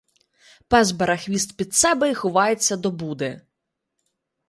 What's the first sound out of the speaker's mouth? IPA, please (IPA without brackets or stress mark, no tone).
p